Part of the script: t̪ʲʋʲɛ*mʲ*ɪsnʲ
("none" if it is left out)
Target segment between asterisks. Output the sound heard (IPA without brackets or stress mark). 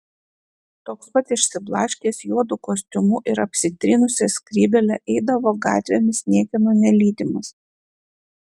mʲ